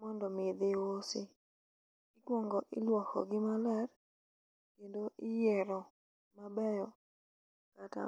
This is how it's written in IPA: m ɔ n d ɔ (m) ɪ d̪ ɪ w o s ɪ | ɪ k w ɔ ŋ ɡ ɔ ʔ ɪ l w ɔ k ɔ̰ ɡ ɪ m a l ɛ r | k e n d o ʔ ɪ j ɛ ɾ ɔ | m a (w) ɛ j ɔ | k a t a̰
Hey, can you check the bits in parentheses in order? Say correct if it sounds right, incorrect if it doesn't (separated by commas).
correct, incorrect